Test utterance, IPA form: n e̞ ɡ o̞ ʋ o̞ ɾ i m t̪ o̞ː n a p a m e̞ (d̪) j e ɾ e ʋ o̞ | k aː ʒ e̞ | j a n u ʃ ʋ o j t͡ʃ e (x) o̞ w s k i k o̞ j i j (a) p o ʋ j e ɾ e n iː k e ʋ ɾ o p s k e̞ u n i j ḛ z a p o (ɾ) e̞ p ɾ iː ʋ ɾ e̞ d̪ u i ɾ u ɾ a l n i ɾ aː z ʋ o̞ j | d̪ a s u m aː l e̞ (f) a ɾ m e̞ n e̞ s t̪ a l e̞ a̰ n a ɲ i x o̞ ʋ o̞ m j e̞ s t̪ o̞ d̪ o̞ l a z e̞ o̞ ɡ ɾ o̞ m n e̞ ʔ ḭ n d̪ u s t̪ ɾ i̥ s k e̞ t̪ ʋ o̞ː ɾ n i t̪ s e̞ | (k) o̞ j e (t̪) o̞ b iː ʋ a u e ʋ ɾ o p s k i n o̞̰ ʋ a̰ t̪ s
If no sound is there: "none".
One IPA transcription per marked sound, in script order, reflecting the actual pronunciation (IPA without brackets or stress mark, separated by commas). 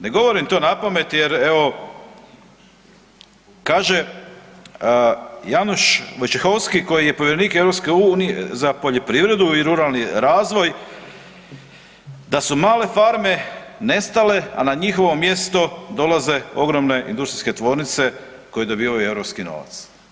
t̪, x, e, ʎ, f, k, d̪